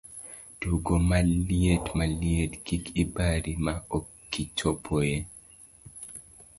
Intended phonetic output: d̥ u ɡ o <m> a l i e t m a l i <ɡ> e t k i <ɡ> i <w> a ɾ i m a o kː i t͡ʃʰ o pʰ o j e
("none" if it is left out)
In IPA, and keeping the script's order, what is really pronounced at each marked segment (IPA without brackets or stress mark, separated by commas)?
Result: m, none, k, b